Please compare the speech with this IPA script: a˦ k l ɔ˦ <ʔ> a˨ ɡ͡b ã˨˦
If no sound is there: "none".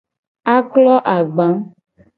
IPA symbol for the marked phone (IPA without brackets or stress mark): ʔ